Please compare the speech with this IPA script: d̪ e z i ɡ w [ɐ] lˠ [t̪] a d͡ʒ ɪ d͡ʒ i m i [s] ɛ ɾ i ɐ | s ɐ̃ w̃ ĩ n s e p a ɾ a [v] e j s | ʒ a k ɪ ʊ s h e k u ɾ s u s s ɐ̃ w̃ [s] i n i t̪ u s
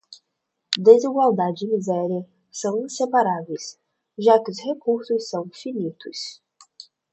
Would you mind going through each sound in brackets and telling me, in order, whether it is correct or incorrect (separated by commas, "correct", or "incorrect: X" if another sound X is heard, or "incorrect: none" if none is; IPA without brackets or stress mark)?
incorrect: a, incorrect: d̪, incorrect: z, correct, incorrect: f